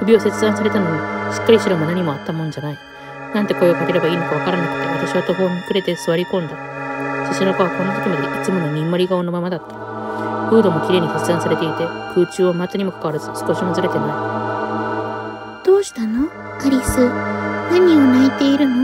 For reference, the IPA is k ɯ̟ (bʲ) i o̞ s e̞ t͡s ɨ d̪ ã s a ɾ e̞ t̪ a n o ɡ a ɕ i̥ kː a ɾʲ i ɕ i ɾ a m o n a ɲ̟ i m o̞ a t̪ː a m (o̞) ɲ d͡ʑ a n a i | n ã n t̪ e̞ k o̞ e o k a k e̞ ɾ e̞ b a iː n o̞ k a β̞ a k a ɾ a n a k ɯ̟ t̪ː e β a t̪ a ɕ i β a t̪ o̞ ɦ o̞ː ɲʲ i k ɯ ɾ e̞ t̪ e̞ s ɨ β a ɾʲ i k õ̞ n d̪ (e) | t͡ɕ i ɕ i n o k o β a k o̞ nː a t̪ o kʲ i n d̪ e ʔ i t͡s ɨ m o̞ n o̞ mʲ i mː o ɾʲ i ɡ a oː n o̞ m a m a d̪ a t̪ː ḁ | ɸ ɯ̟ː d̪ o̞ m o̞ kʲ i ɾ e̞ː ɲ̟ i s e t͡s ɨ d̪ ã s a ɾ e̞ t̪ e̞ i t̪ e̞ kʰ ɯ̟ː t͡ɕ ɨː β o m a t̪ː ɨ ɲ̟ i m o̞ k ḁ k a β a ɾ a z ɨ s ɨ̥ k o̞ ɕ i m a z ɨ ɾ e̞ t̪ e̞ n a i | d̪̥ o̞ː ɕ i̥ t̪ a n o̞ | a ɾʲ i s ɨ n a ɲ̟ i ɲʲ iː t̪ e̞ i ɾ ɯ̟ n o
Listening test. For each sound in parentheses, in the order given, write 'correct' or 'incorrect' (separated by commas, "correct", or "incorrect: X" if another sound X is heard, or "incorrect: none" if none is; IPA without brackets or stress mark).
correct, incorrect: õ̞, incorrect: a